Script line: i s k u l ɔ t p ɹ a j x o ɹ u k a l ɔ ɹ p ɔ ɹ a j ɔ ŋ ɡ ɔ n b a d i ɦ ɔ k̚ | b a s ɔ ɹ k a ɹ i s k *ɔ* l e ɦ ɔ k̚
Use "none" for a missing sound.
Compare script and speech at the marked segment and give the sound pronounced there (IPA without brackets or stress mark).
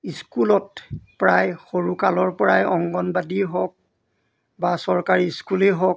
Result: u